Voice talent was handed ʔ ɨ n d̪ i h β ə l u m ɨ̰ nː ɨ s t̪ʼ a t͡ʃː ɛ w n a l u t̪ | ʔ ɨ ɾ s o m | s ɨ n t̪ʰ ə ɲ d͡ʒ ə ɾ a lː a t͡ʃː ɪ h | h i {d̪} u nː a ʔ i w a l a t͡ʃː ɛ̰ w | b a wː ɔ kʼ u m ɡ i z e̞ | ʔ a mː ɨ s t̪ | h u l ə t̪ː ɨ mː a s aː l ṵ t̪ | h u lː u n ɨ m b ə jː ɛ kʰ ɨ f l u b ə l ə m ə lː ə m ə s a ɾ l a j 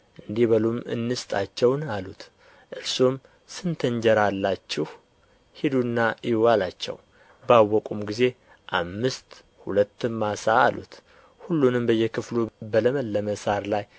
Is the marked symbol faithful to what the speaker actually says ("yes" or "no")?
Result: yes